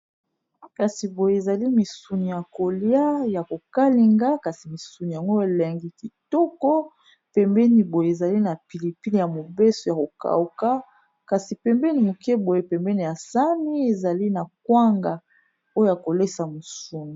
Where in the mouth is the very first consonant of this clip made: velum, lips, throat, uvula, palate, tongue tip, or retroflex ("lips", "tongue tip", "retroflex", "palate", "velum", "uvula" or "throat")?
velum